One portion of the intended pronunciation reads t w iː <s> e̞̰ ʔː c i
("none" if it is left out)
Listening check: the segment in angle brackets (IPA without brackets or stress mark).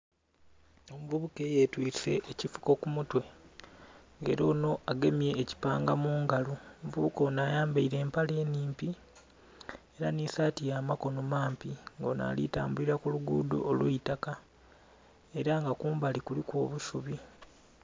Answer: s